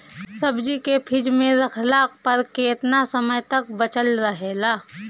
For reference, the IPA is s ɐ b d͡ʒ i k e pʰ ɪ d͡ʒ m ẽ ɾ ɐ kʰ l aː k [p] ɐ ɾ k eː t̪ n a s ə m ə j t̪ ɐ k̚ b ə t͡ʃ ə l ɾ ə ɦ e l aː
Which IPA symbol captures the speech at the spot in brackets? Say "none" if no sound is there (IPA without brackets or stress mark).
p